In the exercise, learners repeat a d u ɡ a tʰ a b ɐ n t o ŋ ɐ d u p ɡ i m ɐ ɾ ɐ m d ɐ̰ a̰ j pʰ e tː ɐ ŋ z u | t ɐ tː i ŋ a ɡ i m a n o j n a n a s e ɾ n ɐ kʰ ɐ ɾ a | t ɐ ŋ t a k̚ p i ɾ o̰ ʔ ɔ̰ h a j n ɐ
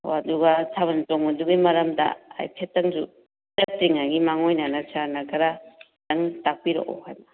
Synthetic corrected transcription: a d u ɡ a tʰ a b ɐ n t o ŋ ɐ d u ɡ i m ɐ ɾ ɐ m d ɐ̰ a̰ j pʰ e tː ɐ ŋ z u | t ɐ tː i ŋ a ɡ i m a ŋ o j n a n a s a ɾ n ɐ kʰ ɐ ɾ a | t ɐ ŋ t a k̚ p i ɾ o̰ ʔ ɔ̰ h a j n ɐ